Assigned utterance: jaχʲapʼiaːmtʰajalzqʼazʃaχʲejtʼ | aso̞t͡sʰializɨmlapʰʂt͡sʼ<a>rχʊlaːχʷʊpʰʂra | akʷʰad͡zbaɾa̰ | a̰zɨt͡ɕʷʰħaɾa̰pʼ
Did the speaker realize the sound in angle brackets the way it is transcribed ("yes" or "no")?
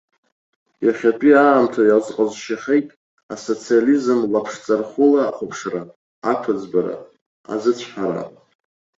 yes